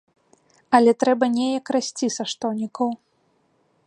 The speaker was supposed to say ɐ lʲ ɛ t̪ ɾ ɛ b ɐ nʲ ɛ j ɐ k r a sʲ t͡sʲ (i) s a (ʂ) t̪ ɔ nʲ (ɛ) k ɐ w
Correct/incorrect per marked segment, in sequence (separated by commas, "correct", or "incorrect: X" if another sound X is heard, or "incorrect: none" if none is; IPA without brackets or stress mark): correct, correct, incorrect: i